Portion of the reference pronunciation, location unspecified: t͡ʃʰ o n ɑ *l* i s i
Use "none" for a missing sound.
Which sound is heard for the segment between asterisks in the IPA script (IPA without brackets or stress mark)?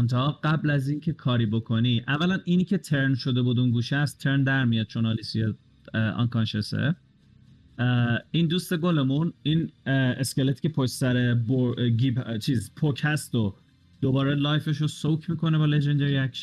l